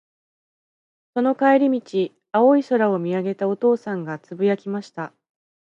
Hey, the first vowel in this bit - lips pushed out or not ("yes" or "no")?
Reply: yes